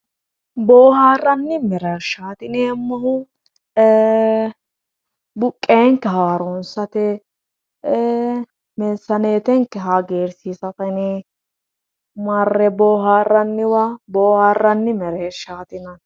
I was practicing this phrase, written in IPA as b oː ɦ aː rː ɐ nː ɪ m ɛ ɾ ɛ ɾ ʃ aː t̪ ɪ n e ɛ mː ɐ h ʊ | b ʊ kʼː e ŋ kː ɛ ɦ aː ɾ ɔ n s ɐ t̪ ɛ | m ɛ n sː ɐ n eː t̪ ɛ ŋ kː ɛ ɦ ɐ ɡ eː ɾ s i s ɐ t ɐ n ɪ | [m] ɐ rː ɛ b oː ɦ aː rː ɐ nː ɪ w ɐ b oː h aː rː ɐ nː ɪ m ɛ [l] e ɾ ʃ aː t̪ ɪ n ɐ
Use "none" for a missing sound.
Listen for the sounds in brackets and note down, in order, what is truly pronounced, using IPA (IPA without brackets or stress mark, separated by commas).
m, ɾ